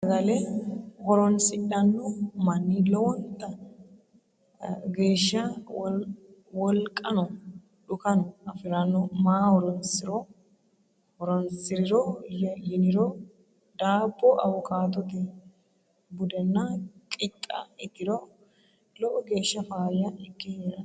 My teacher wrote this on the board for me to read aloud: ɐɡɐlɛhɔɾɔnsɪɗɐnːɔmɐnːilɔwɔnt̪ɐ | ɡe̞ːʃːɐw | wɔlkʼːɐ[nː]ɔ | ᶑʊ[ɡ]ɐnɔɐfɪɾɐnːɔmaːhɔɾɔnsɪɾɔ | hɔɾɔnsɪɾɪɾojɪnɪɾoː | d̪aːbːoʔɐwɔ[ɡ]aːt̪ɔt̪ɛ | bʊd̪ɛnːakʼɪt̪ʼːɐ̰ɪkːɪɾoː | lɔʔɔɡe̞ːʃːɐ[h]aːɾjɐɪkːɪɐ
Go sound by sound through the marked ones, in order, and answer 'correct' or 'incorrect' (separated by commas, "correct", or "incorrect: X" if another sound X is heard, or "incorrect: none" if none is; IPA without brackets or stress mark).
incorrect: n, incorrect: k, incorrect: k, incorrect: f